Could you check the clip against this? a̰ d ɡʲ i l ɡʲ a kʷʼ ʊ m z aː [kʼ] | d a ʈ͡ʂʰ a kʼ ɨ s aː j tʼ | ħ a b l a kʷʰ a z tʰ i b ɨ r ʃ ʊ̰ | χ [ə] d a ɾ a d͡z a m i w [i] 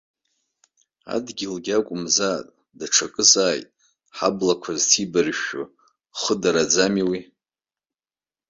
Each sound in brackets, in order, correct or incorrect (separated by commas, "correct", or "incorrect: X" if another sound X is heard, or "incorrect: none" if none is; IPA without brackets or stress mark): incorrect: tʼ, correct, correct